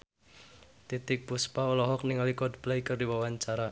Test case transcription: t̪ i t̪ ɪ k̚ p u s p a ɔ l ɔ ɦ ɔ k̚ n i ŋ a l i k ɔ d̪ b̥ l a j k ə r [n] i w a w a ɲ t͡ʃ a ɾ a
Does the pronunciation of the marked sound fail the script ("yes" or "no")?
yes